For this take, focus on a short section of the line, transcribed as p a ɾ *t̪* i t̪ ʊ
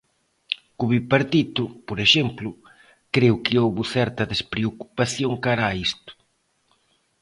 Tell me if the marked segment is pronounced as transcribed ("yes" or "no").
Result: yes